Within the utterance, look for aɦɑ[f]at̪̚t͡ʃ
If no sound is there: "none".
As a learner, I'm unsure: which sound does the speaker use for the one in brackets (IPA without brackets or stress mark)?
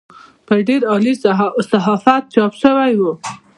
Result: f